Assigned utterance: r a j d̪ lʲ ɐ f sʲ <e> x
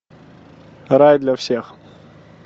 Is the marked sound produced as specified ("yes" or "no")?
yes